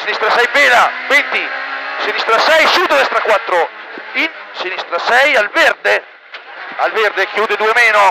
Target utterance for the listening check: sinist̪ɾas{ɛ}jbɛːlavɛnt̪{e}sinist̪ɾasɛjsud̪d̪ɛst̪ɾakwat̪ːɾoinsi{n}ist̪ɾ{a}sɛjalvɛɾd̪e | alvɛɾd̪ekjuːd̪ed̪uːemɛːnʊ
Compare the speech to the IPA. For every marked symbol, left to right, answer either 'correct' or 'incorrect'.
correct, incorrect, correct, correct

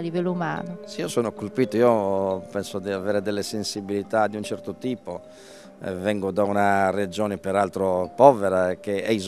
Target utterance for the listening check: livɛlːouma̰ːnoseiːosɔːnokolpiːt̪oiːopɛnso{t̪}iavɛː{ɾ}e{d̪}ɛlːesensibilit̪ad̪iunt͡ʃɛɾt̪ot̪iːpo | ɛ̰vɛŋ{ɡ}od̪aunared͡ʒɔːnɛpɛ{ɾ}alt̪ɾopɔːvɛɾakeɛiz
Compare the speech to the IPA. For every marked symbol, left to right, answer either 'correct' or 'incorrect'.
incorrect, correct, correct, correct, correct

